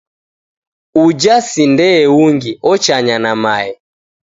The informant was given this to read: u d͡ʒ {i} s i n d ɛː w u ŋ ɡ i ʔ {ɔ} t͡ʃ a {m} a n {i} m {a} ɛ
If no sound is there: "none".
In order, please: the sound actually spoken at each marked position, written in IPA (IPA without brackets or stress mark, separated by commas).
a, ɔ, ɲ, a, a